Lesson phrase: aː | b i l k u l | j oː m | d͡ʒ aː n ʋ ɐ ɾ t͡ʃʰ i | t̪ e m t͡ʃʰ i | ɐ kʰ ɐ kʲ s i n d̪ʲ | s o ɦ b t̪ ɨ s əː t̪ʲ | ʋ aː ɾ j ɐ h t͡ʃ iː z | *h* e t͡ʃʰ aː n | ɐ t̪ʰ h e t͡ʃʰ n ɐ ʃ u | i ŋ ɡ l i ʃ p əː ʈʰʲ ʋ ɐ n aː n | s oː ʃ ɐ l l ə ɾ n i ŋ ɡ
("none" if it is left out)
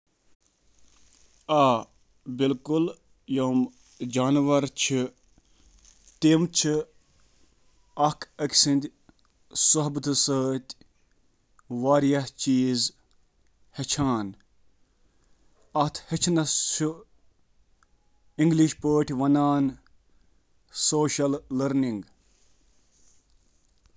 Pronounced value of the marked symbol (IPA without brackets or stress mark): h